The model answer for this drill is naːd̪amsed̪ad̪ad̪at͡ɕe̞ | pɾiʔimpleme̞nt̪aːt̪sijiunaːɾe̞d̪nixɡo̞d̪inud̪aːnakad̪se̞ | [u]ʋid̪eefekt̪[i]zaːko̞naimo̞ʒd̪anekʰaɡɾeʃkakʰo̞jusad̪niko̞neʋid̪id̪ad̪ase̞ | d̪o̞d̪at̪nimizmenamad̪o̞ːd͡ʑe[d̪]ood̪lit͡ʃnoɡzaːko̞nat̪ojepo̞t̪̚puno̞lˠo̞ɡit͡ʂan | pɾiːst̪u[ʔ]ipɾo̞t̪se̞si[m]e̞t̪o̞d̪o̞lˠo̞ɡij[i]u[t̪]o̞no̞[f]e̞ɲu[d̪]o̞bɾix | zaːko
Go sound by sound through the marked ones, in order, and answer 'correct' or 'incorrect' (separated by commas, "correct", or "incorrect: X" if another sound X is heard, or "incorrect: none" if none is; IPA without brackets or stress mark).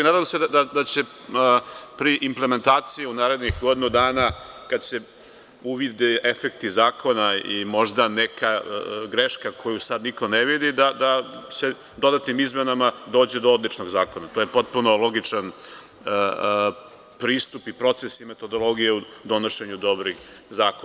correct, correct, correct, incorrect: p, correct, incorrect: e, incorrect: d̪, incorrect: ʃ, correct